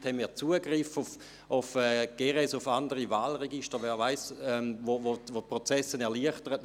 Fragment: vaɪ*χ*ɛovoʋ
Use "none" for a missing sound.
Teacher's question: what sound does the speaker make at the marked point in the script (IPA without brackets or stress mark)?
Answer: s